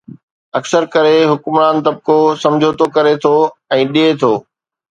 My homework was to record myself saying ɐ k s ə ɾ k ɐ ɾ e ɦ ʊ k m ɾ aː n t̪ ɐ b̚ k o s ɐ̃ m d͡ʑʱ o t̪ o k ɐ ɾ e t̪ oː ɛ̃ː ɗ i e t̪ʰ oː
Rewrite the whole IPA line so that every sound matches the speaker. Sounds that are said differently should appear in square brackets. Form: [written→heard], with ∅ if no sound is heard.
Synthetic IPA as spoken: ɐ k s ə ɾ k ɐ ɾ e ɦ ʊ k m ɾ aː n t̪ ɐ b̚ k o s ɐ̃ m d͡ʑʱ o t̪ o k ɐ ɾ e [t̪→t̪ʰ] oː ɛ̃ː ɗ i e t̪ʰ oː